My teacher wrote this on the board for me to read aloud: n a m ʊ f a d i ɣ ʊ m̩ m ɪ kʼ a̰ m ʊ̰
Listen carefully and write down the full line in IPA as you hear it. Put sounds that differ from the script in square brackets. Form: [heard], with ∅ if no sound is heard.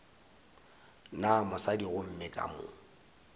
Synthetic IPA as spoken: n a m ʊ [s] a d i ɣ ʊ m̩ m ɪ kʼ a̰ m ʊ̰